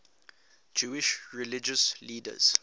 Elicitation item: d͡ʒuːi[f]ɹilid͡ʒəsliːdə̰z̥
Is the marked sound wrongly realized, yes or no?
yes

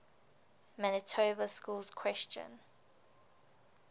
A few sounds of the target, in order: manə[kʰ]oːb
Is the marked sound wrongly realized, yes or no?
yes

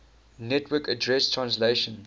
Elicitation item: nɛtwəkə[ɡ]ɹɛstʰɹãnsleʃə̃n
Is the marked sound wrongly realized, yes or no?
yes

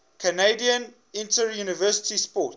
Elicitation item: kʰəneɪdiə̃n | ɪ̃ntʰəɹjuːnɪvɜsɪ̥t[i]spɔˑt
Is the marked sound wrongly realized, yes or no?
no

